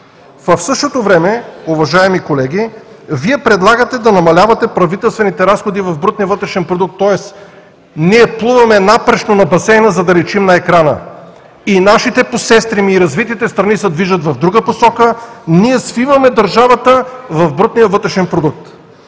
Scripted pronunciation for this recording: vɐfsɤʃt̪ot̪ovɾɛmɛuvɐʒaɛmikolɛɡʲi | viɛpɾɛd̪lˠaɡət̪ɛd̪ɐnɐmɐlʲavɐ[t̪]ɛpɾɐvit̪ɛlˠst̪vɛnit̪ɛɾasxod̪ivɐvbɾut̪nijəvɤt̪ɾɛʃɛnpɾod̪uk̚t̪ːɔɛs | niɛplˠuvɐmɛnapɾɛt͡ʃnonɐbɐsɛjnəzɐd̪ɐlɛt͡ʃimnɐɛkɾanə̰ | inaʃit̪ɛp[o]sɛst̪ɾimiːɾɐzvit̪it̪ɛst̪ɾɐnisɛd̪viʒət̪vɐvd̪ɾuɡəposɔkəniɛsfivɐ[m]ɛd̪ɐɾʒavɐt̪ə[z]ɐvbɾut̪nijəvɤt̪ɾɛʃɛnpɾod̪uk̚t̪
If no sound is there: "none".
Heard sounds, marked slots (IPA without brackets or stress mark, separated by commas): t̪, o, m, v